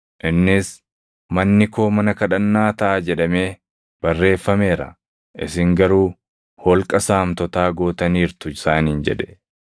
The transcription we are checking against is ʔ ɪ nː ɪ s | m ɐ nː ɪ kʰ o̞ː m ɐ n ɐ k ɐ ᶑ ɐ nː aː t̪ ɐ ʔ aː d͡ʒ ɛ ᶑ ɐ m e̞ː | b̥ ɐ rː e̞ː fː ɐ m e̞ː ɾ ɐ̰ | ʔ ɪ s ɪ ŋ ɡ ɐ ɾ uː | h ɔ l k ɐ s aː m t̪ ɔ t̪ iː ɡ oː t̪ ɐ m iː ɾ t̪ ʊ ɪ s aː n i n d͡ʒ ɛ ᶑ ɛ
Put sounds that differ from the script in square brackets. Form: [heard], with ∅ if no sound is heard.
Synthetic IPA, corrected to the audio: ʔ ɪ nː ɪ s | m ɐ nː ɪ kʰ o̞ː m ɐ n ɐ k ɐ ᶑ ɐ nː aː t̪ ɐ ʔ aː d͡ʒ ɛ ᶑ ɐ m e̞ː | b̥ ɐ rː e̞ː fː ɐ m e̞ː ɾ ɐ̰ | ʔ ɪ s ɪ ŋ ɡ ɐ ɾ uː | h ɔ l [kʼ] ɐ s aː m t̪ ɔ t̪ [aː] ɡ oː t̪ ɐ [n] iː ɾ t̪ ʊ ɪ s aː n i n d͡ʒ ɛ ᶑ ɛ